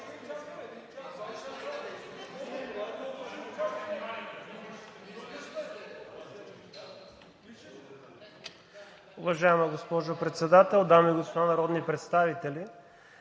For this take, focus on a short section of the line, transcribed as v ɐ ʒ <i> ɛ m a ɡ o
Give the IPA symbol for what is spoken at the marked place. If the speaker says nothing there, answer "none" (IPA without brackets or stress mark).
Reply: a